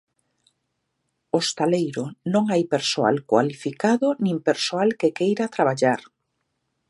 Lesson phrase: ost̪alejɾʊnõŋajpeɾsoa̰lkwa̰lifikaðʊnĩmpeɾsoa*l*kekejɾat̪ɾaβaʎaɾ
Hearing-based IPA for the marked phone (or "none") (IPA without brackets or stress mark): l